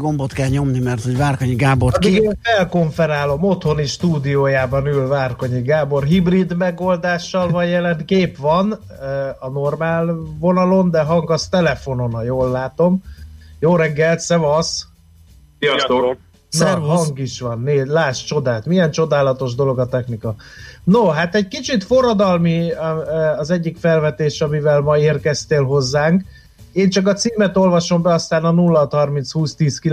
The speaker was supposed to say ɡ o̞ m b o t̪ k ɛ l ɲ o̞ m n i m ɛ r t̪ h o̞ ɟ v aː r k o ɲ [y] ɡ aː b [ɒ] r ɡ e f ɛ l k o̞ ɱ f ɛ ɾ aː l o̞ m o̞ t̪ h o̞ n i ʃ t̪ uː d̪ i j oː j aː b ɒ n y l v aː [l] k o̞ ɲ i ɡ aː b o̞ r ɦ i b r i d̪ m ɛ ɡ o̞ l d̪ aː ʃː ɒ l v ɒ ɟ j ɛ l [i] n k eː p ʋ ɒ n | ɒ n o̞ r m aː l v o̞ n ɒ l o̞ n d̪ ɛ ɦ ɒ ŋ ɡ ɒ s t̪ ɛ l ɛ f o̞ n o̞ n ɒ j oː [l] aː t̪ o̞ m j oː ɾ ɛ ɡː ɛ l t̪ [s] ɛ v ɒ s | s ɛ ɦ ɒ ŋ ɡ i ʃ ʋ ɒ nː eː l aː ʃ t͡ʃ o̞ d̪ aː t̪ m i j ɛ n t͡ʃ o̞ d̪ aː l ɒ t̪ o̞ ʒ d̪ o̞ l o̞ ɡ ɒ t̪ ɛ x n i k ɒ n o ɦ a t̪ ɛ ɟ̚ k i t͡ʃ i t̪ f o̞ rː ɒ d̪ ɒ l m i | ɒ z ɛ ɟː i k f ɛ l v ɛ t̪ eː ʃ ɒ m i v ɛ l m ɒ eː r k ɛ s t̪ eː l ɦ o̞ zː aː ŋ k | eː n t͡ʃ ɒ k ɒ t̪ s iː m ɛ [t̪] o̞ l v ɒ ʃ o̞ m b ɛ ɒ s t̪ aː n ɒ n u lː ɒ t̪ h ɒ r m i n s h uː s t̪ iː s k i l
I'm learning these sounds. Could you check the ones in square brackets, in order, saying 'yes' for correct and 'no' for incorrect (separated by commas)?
no, no, no, no, no, yes, yes